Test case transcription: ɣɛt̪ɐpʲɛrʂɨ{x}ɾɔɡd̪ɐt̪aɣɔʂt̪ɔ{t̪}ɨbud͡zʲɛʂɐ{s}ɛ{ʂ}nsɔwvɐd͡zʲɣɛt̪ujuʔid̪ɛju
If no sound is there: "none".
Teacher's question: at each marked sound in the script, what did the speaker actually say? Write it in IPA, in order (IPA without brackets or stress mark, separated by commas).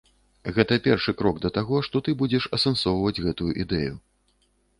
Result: k, t̪, s, none